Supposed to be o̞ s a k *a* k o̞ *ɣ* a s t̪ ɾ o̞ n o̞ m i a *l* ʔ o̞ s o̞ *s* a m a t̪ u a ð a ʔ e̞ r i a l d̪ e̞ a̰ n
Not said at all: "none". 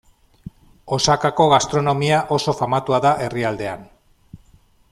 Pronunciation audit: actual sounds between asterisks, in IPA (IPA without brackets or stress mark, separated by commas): a, ɣ, none, f